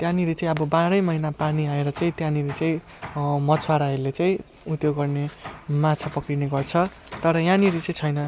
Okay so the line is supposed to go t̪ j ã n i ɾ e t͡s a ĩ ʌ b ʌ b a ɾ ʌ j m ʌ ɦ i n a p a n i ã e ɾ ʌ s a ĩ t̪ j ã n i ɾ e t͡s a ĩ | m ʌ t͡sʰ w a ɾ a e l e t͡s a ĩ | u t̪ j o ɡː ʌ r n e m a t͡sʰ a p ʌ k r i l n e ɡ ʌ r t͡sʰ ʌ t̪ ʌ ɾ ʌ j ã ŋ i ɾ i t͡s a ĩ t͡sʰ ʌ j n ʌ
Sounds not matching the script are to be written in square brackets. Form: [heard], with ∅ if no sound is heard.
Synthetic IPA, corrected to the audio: t̪ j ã n i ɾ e t͡s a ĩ ʌ b ʌ b a ɾ ʌ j m ʌ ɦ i n a p a n i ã e ɾ ʌ [t͡s] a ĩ t̪ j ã n i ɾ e t͡s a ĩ | m ʌ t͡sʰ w a ɾ a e l e t͡s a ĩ | u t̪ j o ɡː ʌ r n e m a t͡sʰ a p ʌ k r i [∅] n e ɡ ʌ r t͡sʰ ʌ t̪ ʌ ɾ ʌ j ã [n] i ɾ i t͡s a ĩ t͡sʰ ʌ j n ʌ